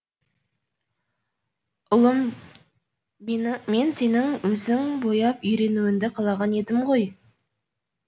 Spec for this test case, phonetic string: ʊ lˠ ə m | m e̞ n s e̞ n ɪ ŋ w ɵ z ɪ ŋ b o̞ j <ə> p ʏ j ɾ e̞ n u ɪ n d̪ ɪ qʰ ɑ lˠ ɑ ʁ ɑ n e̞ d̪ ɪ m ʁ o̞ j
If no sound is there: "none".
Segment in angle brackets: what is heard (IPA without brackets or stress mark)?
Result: ɑ